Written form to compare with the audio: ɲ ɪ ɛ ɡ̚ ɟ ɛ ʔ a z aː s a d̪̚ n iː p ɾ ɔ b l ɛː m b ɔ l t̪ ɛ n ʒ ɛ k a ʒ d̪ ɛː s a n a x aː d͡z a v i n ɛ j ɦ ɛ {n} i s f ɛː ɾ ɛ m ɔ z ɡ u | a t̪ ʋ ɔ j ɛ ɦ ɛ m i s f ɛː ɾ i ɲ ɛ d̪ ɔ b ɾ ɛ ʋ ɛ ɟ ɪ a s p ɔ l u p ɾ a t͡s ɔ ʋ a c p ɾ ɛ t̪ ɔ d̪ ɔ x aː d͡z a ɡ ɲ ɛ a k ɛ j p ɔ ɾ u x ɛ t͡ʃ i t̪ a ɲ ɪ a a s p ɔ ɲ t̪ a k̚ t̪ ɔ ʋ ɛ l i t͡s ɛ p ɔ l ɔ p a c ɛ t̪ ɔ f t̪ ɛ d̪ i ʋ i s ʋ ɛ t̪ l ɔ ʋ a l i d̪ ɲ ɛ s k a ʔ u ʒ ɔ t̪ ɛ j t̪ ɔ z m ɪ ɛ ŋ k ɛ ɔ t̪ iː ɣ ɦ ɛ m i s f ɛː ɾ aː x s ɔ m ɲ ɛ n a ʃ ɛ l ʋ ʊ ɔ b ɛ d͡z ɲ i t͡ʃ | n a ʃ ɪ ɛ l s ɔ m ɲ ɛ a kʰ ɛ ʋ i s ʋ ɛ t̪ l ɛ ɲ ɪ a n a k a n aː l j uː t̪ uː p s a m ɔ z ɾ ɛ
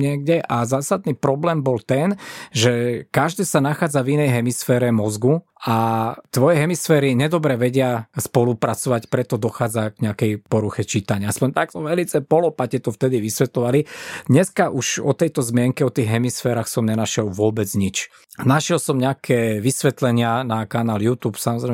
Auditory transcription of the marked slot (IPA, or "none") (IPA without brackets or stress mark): m